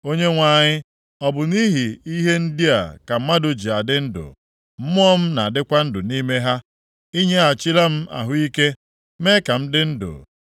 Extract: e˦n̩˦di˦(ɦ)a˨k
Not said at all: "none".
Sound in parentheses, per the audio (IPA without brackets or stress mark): none